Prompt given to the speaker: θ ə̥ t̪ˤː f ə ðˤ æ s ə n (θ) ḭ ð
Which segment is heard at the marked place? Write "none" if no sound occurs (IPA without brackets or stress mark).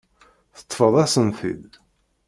θ